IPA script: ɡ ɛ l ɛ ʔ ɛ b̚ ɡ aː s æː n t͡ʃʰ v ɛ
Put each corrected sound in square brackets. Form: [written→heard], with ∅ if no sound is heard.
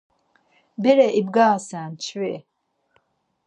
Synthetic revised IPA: [ɡ→b] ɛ [l→ɾ] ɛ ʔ [ɛ→i] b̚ ɡ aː s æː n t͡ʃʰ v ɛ

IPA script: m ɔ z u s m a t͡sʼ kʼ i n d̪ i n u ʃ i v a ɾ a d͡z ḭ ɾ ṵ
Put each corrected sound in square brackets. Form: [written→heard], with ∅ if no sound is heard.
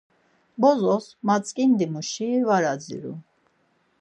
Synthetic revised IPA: [m→b] ɔ z [u→ɔ] s m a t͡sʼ kʼ i n d̪ i [n→m] u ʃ i v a ɾ a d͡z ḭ ɾ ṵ

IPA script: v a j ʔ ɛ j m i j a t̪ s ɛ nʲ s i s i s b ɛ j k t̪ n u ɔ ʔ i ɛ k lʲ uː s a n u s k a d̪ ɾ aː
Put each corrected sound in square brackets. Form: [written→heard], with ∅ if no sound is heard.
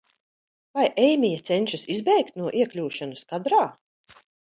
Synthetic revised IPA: v a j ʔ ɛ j m i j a t̪ s ɛ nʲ [s→ʃ] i s i [s→z] b ɛ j k t̪ n u ɔ ʔ i ɛ k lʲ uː [s→ʃ] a n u s k a d̪ ɾ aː

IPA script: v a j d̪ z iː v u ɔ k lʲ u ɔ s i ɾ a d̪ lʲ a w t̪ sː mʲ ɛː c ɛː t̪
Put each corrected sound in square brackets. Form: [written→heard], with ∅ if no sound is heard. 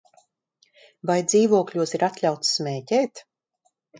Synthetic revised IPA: v a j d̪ z iː v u ɔ k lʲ u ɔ s i ɾ a [d̪→t̪] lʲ a w t̪ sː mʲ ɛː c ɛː t̪

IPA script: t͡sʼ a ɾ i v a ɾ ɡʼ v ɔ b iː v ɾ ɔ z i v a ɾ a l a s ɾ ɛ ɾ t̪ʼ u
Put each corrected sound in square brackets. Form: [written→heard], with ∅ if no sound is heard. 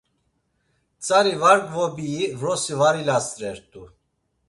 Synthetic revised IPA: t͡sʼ a ɾ i v a ɾ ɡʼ v ɔ b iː v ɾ ɔ [z→s] i v a ɾ [a→i] l a s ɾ ɛ ɾ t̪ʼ u

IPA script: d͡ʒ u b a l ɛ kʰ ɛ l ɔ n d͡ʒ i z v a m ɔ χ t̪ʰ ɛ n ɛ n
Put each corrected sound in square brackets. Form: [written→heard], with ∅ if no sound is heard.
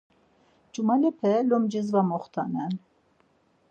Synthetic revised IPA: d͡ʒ u [b→m] a l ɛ [kʰ→pʰ] ɛ l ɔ [n→m] d͡ʒ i z v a m ɔ χ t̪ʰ [ɛ→a] n ɛ n

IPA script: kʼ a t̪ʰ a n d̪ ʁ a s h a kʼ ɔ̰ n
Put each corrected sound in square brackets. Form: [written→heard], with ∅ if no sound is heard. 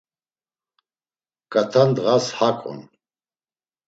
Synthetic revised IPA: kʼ a t̪ʰ a n d̪ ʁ a s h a kʼ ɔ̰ n

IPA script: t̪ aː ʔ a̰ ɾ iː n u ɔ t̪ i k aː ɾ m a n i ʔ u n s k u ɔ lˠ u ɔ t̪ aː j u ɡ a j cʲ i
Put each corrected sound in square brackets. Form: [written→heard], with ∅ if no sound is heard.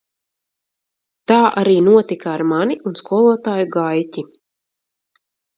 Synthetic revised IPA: t̪ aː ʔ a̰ ɾ iː n u ɔ t̪ i k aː ɾ m a n i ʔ u n s k u ɔ lˠ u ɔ t̪ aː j u ɡ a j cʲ i

